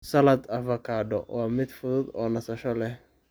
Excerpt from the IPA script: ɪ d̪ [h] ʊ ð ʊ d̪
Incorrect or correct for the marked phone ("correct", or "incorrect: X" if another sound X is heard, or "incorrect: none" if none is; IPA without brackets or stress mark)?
incorrect: f